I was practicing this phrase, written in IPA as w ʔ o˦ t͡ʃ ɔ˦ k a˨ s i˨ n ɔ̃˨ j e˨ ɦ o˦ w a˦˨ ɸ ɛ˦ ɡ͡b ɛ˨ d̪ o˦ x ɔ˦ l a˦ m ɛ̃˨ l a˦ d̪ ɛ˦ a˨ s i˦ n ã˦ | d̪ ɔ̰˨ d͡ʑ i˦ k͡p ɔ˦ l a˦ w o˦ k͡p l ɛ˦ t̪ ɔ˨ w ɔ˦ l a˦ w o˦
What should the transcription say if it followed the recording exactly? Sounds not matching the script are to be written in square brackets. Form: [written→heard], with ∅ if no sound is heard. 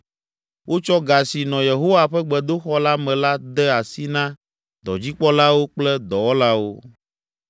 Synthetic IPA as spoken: w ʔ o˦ t͡ʃ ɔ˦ [k→ɡ] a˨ s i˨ n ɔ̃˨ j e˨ ɦ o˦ w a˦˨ ɸ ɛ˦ ɡ͡b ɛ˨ d̪ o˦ x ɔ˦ l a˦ m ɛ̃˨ l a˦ d̪ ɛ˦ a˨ s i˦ n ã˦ | d̪ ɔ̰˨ d͡ʑ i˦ k͡p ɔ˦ l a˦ w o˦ k͡p l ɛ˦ [t̪→d̪] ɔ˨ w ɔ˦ l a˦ w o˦